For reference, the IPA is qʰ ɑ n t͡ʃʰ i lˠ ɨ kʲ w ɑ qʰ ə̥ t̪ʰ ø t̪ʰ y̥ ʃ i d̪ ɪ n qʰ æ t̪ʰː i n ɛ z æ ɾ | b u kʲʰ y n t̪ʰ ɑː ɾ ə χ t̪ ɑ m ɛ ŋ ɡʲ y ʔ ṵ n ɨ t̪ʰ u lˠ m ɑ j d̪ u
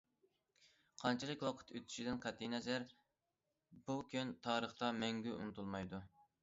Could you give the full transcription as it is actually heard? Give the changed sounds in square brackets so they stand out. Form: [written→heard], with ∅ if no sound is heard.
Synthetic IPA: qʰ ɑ n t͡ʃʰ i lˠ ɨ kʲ w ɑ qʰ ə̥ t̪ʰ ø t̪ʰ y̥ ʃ i d̪ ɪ n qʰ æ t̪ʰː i n ɛ z æ ɾ | b u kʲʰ y n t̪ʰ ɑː ɾ ə χ t̪ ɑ m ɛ ŋ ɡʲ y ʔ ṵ n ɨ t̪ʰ u lˠ m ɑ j d̪ u